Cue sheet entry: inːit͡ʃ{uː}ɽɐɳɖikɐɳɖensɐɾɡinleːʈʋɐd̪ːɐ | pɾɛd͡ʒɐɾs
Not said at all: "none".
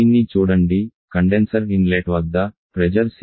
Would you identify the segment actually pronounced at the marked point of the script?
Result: uː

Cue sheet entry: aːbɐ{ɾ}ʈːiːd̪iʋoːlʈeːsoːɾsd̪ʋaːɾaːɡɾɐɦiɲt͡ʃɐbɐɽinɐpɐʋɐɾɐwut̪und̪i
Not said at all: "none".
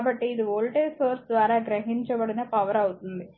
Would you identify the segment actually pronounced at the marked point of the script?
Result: none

